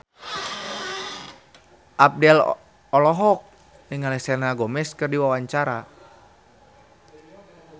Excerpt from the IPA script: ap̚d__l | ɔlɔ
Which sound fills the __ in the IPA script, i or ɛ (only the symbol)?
ɛ